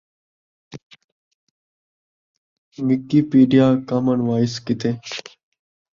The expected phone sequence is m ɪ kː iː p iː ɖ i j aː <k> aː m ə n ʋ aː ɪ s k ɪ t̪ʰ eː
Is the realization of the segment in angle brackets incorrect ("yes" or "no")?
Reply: no